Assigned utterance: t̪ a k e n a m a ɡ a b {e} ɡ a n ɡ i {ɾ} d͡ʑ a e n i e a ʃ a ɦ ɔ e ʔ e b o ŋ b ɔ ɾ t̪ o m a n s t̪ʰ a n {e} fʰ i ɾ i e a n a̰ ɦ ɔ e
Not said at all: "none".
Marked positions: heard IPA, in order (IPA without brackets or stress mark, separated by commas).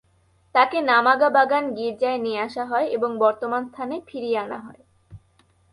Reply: a, ɾ, e